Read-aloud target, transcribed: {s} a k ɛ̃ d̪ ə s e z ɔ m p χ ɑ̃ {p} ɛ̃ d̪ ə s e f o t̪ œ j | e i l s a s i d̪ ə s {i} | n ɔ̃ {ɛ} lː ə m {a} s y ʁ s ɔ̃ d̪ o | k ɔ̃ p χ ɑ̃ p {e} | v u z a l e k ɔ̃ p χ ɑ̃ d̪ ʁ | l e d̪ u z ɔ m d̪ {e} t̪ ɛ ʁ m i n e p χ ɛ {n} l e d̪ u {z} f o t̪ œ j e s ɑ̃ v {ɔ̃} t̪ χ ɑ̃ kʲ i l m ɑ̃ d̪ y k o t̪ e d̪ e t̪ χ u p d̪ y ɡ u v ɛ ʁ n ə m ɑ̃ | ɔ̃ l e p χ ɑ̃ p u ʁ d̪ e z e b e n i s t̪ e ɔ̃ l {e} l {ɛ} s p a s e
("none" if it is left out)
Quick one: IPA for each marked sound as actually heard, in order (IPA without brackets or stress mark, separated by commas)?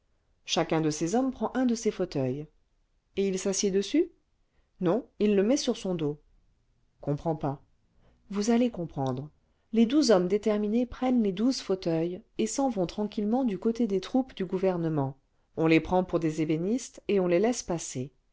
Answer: ʃ, ʔ, y, i, ɛ, a, e, n, z, ɔ̃, e, ɛ